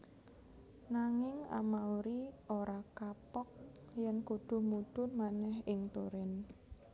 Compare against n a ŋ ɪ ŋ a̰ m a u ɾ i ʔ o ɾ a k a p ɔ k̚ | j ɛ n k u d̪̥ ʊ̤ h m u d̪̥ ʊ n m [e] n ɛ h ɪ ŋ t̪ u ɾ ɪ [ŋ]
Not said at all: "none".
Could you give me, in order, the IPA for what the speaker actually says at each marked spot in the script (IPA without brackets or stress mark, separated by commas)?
a, n